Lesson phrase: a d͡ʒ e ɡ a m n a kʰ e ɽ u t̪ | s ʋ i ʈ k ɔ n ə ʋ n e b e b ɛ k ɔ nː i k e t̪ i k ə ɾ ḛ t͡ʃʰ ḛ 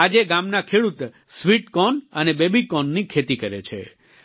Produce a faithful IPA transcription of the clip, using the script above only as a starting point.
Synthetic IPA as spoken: a d͡ʒ e ɡ a m n a kʰ e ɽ u t̪ | s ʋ i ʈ k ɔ n ə n e b e b i k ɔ nː i kʰ e t̪ i k ə ɾ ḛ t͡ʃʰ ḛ